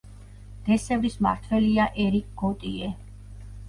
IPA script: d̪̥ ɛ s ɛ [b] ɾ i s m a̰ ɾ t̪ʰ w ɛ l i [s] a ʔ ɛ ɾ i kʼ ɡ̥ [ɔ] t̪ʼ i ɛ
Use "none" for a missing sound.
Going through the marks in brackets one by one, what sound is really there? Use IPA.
v, none, ɔ

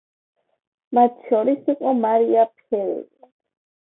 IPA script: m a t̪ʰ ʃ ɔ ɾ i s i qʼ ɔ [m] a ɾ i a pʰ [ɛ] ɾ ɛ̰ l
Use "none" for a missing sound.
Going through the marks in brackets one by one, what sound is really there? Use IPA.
m, ɛ

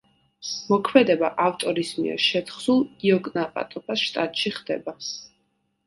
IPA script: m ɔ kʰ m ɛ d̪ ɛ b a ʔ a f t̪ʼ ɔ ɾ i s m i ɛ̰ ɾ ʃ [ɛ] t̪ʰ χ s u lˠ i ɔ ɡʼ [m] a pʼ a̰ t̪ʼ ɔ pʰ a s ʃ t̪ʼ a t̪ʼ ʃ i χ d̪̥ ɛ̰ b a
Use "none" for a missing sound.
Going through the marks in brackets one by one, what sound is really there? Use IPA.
ɛ, n

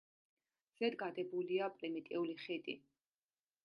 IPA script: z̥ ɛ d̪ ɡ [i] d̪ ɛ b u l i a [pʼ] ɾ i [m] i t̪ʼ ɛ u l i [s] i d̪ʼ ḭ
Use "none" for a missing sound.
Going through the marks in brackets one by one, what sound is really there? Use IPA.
a, pʼ, m, χ

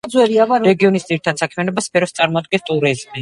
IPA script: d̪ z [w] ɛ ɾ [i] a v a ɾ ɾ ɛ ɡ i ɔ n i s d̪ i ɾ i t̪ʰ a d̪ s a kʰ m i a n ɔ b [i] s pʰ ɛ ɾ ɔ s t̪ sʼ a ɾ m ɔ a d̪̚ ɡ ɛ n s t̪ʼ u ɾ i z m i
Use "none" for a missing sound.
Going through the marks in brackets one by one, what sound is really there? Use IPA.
w, i, a

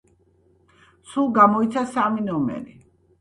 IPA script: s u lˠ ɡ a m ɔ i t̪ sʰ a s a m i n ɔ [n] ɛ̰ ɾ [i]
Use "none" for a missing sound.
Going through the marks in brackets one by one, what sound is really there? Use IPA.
m, i

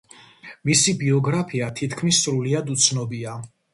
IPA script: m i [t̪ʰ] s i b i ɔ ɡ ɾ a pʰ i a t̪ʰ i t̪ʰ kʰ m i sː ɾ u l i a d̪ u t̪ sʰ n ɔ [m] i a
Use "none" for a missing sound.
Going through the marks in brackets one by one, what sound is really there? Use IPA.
none, b

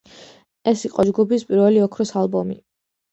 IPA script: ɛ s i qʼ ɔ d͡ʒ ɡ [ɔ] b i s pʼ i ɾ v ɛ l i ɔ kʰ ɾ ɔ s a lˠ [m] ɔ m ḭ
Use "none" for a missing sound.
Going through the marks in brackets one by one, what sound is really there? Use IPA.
u, b

